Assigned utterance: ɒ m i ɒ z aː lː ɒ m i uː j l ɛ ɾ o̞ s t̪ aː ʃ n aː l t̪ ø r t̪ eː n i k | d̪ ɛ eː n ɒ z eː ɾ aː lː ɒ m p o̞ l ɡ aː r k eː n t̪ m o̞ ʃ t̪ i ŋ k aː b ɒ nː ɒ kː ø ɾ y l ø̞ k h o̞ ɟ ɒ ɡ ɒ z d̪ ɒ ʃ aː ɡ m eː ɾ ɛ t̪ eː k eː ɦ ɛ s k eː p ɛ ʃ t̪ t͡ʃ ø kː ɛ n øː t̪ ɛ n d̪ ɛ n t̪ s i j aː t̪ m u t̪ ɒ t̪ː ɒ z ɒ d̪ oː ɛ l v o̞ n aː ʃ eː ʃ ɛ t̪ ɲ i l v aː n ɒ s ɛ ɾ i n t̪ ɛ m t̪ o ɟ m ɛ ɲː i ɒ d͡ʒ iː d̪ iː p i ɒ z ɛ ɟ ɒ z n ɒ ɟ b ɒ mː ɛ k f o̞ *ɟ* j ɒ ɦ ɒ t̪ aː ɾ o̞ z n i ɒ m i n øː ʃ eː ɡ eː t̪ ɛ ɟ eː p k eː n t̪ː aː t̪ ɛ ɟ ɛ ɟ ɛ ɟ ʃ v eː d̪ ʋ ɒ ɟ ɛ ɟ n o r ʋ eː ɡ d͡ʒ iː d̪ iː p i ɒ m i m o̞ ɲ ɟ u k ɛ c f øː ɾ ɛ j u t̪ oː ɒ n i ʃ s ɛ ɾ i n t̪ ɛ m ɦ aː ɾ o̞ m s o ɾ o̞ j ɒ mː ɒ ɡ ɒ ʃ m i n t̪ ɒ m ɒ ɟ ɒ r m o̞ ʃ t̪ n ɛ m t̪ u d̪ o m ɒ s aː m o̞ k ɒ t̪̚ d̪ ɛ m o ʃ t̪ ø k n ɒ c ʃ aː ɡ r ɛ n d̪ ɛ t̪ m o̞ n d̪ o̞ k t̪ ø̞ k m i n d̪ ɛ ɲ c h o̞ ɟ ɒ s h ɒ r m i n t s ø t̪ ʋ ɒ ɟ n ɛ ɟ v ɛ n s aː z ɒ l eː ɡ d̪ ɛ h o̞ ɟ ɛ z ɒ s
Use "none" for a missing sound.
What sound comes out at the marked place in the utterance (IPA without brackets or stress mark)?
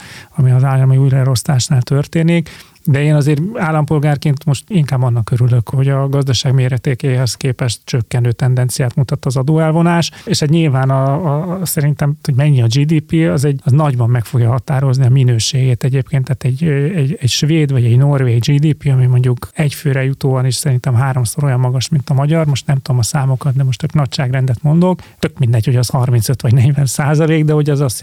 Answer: ɡ